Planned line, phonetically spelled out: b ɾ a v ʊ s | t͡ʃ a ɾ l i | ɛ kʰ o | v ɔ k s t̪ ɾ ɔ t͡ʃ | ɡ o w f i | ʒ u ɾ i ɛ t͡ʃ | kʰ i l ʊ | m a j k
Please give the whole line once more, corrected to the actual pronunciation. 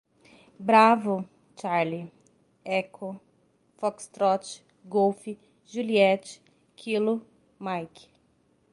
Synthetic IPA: b ɾ a v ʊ | t͡ʃ a ɾ l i | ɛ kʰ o | f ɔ k s t̪ ɾ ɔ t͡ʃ | ɡ o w f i | ʒ u l i ɛ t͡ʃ | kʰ i l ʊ | m a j k